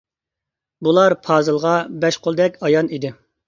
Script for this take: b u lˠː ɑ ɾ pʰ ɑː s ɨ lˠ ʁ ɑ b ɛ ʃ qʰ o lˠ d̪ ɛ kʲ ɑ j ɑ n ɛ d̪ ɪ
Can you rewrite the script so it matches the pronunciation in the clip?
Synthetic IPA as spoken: b u lˠ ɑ ɾ pʰ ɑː z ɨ lˠ ʁ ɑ b ɛ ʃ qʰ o lˠ d̪ ɛ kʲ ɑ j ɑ n i d̪ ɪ